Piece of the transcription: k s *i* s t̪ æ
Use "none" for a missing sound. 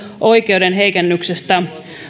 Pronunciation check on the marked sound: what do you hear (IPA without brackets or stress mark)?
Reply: e